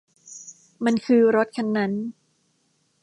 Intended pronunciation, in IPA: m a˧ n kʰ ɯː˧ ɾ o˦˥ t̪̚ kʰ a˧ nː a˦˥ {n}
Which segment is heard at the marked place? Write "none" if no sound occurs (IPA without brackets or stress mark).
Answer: n